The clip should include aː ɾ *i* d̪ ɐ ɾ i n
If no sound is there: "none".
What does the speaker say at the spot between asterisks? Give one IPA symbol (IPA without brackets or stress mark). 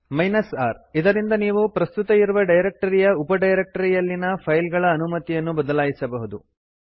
i